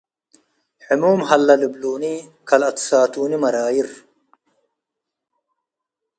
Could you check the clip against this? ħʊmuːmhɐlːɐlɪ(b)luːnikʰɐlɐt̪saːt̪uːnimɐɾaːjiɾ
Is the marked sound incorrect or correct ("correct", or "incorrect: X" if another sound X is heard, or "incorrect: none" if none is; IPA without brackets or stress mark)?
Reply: correct